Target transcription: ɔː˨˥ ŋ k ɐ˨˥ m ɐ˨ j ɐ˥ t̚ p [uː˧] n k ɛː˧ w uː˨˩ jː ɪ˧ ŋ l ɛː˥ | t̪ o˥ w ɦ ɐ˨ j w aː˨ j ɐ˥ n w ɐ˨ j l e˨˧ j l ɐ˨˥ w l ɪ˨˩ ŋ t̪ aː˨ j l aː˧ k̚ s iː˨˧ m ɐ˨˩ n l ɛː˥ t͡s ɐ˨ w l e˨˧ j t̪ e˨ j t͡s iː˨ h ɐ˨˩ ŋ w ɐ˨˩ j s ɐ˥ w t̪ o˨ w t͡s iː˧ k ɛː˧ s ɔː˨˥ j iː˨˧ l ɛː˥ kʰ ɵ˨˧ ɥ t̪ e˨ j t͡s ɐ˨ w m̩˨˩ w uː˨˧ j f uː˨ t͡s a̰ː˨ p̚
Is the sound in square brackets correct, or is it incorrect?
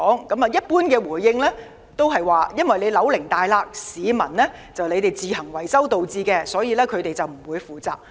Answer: incorrect